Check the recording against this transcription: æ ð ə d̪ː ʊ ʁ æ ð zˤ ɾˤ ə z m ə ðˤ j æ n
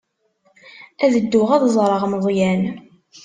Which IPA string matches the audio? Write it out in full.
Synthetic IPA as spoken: æ ð ə d̪ː ʊ ʁ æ ð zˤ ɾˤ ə ʁ m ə ðˤ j æ n